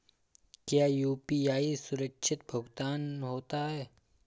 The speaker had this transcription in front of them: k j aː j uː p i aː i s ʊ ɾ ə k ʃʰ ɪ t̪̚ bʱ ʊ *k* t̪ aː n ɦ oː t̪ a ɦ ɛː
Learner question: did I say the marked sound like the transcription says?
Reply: no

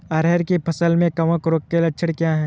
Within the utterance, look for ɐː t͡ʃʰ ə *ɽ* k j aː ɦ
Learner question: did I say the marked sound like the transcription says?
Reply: yes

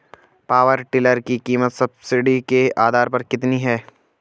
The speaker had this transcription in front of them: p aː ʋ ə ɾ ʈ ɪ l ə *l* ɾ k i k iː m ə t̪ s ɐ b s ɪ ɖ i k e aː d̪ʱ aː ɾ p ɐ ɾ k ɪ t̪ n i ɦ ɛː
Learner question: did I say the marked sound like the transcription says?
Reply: no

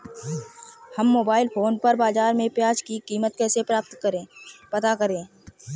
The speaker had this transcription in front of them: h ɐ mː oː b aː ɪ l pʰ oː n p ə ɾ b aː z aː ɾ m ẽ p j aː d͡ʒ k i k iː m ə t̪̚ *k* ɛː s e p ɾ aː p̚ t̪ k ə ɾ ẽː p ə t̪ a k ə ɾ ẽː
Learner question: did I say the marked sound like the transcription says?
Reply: yes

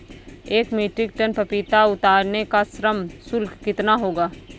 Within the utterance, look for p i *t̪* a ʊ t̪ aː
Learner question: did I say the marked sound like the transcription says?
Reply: yes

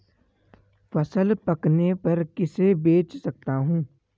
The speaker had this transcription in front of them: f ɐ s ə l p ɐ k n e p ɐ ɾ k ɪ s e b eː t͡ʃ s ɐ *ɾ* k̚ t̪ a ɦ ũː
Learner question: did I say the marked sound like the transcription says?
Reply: no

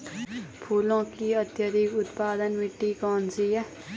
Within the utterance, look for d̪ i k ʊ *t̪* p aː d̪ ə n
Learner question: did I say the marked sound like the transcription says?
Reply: yes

